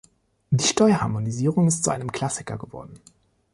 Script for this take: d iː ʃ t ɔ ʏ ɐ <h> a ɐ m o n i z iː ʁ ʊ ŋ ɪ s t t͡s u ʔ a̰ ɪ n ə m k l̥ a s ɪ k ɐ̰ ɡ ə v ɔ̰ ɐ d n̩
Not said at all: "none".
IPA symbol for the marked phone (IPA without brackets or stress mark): h